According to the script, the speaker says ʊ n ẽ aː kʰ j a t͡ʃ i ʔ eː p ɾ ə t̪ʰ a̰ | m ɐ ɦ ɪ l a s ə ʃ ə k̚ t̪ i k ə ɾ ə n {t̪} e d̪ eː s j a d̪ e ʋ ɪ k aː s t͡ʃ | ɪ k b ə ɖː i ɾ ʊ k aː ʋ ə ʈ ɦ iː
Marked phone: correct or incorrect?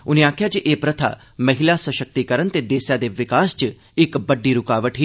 correct